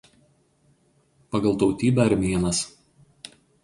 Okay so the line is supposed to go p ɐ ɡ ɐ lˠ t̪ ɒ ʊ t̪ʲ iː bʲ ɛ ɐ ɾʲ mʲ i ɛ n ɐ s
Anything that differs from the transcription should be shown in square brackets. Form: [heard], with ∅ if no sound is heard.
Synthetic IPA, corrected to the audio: p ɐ ɡ ɐ lˠ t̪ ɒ ʊ t̪ʲ iː bʲ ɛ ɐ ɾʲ mʲ i ɛ n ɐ s